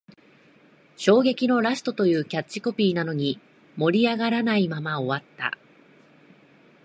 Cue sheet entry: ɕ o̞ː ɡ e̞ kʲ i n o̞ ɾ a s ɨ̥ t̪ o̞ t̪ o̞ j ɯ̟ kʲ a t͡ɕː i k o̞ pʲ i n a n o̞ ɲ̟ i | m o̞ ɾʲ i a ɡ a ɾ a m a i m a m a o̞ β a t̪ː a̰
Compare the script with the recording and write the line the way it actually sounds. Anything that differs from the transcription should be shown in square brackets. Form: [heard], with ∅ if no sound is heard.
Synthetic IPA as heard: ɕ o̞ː ɡ e̞ kʲ i n o̞ ɾ a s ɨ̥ t̪ o̞ t̪ o̞ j [ɯ̟ː] kʲ a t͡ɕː i k o̞ pʲ [iː] n a n o̞ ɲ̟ i | m o̞ ɾʲ i a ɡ a ɾ a [n] a i m a m a o̞ β a t̪ː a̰